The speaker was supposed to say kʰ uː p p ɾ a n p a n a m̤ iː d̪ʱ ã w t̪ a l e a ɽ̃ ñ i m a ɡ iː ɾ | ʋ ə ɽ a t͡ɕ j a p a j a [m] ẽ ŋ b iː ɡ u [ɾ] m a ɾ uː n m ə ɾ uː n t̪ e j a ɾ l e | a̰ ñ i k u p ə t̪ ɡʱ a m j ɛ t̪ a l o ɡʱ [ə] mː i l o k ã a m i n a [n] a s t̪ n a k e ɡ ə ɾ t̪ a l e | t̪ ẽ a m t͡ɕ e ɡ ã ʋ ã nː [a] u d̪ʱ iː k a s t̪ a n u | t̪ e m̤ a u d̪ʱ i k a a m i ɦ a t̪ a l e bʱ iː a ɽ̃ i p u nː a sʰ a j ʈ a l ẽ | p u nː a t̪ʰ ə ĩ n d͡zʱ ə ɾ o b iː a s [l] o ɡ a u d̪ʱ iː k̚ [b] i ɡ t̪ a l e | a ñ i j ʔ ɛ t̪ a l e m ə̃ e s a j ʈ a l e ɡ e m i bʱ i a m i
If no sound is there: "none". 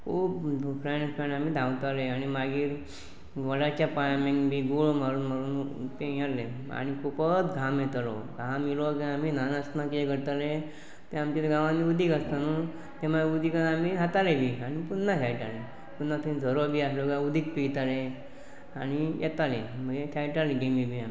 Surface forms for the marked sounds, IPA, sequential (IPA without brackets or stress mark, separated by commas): m, ɭ, a, n, i, l, p